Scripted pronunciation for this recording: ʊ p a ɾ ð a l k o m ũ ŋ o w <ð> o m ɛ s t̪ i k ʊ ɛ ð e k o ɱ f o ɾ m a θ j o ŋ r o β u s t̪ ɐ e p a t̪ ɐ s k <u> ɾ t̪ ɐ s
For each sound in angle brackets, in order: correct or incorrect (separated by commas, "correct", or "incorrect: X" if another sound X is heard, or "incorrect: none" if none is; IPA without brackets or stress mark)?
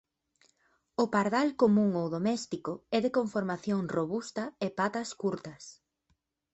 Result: correct, correct